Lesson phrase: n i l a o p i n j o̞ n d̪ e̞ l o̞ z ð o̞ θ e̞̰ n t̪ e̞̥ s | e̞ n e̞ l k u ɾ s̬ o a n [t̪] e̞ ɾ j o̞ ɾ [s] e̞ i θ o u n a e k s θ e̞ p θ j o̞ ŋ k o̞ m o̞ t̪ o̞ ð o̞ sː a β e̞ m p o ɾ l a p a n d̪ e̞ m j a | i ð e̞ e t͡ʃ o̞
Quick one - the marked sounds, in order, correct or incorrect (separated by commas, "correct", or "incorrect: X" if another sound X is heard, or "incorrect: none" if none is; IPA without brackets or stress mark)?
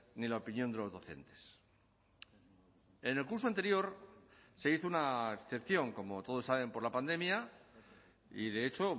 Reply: correct, correct